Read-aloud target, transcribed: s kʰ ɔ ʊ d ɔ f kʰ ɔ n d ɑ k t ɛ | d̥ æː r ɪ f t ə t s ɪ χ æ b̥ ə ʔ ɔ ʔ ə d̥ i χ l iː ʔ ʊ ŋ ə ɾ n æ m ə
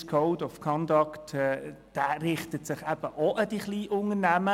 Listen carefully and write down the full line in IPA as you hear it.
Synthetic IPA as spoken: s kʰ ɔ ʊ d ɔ f kʰ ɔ n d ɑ k t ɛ | d̥ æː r ɪ χ t ə t s ɪ χ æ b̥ ə ʔ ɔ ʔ ə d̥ i χ l iː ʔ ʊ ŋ ə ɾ n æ m ə